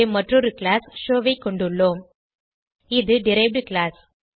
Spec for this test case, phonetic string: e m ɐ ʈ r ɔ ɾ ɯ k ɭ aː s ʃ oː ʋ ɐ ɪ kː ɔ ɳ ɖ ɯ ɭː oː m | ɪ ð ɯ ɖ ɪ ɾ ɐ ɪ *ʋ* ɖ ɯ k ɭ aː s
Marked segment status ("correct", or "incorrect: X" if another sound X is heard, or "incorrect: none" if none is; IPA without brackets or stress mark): correct